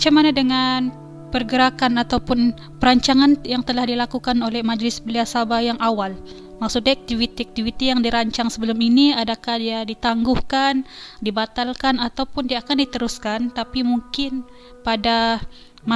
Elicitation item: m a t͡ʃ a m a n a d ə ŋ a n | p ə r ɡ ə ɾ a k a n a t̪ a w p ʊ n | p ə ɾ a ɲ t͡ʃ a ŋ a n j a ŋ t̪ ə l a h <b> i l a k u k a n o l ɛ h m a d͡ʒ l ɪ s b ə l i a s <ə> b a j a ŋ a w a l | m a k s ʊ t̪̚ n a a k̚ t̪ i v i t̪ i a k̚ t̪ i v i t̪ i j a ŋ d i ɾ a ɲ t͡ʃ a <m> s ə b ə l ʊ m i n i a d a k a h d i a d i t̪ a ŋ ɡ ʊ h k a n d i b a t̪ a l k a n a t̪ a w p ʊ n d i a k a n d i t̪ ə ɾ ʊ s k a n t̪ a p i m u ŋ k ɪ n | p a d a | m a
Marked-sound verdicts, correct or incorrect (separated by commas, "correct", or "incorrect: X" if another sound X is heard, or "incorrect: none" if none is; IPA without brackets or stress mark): incorrect: d, incorrect: a, incorrect: ŋ